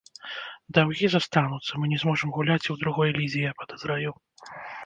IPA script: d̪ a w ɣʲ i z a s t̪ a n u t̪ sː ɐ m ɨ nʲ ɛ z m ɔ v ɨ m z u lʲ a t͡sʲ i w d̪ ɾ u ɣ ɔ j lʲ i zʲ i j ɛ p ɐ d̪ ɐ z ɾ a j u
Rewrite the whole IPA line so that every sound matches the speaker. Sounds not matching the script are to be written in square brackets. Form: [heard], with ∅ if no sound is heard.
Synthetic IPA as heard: d̪ a w ɣʲ i z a s t̪ a n u t̪ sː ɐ m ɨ nʲ ɛ z m ɔ [ʐ] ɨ m [ɣ] u lʲ a t͡sʲ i w d̪ ɾ u ɣ ɔ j lʲ i zʲ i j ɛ p ɐ d̪ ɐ z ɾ a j u